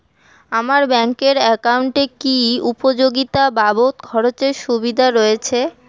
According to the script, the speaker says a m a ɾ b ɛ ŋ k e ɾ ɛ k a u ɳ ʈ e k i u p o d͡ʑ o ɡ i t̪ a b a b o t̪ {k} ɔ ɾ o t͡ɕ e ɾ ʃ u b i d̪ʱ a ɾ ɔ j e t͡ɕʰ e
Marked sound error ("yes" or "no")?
yes